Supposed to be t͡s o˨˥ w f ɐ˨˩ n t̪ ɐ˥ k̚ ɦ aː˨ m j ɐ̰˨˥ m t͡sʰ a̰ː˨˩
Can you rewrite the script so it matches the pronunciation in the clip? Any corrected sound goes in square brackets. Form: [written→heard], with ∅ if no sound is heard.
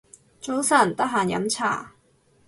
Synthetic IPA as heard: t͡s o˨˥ w [f→s] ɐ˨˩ n t̪ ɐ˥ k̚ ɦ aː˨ [m→n] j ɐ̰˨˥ m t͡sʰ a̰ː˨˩